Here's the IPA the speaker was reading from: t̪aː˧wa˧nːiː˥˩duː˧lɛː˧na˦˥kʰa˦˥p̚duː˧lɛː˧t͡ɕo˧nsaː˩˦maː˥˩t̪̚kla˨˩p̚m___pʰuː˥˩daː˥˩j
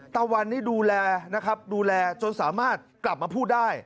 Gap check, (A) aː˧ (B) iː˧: A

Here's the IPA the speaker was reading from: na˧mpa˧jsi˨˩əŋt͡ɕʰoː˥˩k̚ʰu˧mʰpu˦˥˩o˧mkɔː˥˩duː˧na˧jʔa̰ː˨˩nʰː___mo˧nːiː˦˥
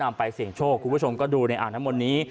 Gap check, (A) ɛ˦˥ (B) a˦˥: B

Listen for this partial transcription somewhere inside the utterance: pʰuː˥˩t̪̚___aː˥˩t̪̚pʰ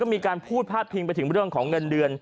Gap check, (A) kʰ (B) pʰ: B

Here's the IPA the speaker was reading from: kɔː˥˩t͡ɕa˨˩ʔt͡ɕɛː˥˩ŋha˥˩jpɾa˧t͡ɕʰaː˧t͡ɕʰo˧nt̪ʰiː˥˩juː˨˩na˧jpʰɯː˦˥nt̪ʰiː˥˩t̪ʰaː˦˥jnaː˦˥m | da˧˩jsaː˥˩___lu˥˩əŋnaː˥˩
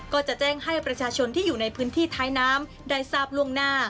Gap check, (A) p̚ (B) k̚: A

